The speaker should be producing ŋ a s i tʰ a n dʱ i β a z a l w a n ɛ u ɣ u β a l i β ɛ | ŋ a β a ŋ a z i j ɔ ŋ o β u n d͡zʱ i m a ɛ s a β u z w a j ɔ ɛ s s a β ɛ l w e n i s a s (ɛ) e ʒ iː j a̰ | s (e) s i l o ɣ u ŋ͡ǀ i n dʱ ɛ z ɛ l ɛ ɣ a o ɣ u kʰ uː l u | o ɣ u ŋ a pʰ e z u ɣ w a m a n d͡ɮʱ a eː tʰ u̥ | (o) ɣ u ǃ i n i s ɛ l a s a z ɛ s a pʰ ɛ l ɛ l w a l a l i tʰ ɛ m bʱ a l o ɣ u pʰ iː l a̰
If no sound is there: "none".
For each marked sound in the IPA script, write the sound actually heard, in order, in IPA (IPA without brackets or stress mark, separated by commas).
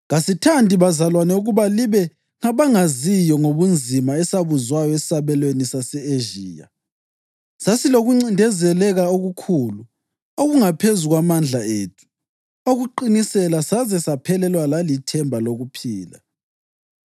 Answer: ɛ, a, o